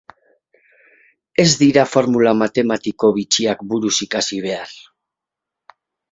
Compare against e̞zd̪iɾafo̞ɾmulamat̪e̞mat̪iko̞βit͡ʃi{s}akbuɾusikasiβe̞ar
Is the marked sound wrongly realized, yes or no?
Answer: yes